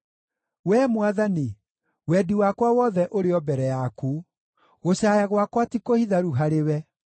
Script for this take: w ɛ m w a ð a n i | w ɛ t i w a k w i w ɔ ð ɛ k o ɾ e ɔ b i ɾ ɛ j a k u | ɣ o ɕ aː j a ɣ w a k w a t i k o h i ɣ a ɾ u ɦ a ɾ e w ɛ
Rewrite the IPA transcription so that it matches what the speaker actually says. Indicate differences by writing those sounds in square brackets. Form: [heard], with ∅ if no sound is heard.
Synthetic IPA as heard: w ɛ m w a ð a n i | w ɛ [d] i w a k w [a] w ɔ ð ɛ [ʔ] o ɾ e ɔ b [ɛ] ɾ ɛ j a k u | ɣ o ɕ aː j a ɣ w a k w a t i k o h i [ð] a ɾ u ɦ a ɾ e w ɛ

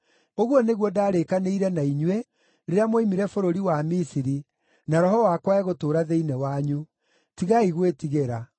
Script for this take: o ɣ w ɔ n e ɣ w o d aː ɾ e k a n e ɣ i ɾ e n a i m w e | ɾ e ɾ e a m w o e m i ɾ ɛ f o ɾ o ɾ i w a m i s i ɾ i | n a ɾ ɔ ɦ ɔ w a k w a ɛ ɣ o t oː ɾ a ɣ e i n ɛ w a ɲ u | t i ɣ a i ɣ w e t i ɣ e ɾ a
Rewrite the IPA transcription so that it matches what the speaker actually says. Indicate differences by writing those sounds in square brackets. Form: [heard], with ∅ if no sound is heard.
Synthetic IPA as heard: o ɣ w ɔ n e ɣ w [ɔ] d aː ɾ e k a n e [∅] i ɾ [ɛ] n a i [ɲ] w e | ɾ e ɾ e a m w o [i] m i ɾ ɛ f o ɾ o ɾ i w a m i s i ɾ i | n a ɾ ɔ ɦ ɔ w a k w a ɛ ɣ o t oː ɾ a [ð] e i n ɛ w a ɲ u | t i ɣ a i ɣ w e t i ɣ e ɾ a

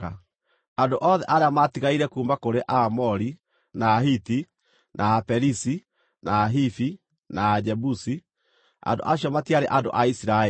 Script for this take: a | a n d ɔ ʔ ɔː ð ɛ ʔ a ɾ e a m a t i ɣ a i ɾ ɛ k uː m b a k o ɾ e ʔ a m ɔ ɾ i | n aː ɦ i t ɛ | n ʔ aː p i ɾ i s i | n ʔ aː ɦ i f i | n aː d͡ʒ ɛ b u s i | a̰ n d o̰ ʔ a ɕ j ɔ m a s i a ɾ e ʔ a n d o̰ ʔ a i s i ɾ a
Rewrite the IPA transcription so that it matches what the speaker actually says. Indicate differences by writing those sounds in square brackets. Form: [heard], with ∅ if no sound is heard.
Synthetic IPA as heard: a | a n d [o] ʔ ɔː ð ɛ ʔ a ɾ e a m a t i ɣ a i ɾ ɛ k uː m b a k o ɾ e ʔ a m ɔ ɾ i | n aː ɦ i t [i] | n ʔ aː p [ɛ] ɾ i s i | n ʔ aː ɦ i f i | n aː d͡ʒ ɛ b u s i | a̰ n d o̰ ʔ a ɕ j ɔ m a [t] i a ɾ e ʔ a n d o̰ ʔ a i s i ɾ a

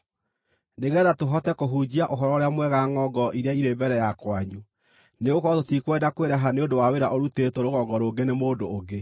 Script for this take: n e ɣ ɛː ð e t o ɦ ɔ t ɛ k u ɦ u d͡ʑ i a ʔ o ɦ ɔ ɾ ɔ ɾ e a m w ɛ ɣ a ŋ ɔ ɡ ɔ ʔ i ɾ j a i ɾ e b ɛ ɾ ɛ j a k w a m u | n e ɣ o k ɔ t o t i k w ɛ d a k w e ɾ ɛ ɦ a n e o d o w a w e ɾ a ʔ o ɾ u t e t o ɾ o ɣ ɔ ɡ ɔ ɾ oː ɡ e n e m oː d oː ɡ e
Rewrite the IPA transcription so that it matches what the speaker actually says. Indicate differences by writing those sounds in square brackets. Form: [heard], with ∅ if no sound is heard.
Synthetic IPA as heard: n e ɣ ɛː ð [a] t o ɦ ɔ t ɛ k [o] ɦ u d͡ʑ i a ʔ o ɦ ɔ ɾ ɔ ɾ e a m w ɛ ɣ a ŋ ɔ ɡ ɔ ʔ i ɾ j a i ɾ e b ɛ ɾ ɛ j a k w a [ɲ] u | n e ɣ o k ɔ t o t i k w ɛ d a k w e ɾ ɛ ɦ a n e o d o w a w e ɾ a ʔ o ɾ u t e t o ɾ o ɣ ɔ ɡ ɔ ɾ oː ɡ e n e m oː d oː ɡ e

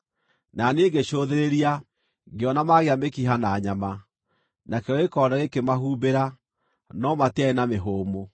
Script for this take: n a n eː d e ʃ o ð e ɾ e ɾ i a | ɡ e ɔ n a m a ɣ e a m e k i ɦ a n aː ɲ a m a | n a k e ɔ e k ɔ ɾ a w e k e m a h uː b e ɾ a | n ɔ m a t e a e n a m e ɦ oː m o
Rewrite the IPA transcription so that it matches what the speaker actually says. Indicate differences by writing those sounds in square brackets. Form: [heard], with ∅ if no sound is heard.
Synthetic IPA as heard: n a n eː [ɡ] e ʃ o ð e ɾ e ɾ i a | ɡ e ɔ n a m a ɣ e a m e k i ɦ a n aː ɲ a m a | n a k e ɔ e k ɔ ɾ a [ɣ] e k e m a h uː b e ɾ a | n ɔ m a t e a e n a m e ɦ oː m o

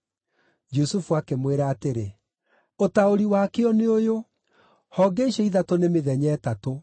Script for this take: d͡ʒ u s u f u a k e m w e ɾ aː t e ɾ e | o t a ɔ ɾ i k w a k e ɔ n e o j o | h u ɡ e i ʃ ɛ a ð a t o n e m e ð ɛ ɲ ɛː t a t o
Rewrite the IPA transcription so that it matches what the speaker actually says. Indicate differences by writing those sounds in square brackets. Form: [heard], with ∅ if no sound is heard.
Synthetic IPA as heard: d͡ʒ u s u f u a k e m w e ɾ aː t e ɾ e | o t a [o] ɾ i [∅] w a k e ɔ n e o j o | h [ɔ] ɡ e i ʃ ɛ [i] ð a t o n e m e ð ɛ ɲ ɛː t a t o

